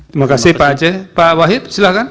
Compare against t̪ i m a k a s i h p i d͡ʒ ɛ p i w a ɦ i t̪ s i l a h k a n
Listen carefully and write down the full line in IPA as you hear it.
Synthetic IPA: t̪ i m a k a s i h p a d͡ʒ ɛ p a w a ɦ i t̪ s i l a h k a n